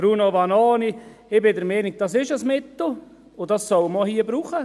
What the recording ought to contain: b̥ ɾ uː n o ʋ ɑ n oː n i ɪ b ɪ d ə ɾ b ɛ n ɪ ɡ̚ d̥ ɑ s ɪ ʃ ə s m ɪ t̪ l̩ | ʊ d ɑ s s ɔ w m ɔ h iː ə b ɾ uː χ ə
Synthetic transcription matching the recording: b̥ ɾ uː n o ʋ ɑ n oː n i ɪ b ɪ d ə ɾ m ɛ n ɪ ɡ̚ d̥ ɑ s ɪ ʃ ə s m ɪ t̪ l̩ | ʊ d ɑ s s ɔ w m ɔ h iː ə b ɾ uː χ ə